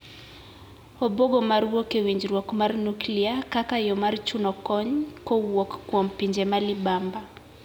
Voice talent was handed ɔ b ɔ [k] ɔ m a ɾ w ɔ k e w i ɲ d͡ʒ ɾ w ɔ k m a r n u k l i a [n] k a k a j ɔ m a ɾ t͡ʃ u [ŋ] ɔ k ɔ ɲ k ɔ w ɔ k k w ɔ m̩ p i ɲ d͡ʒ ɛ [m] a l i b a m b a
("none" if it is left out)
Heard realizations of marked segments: ɡ, none, n, m

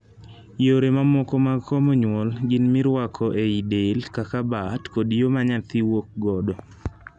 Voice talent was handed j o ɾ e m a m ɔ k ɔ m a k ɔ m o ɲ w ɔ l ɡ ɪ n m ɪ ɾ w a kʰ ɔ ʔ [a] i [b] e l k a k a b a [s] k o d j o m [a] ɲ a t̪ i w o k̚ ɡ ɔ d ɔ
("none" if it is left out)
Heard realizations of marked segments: e, d, t, a

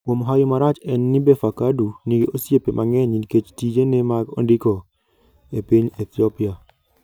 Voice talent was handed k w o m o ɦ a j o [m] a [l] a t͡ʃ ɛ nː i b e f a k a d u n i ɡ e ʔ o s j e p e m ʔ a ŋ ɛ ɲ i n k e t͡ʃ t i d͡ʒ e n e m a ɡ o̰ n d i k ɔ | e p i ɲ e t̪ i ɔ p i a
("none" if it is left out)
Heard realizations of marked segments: m, ɾ

